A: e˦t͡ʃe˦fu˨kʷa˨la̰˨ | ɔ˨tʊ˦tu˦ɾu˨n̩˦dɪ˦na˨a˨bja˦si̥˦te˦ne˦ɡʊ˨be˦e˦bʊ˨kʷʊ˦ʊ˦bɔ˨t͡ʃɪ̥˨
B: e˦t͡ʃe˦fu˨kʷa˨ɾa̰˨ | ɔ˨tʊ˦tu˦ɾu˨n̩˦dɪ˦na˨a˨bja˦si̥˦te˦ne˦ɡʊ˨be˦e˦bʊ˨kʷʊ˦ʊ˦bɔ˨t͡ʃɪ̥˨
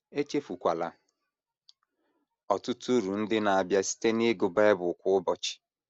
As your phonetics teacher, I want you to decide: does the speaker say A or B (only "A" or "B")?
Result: A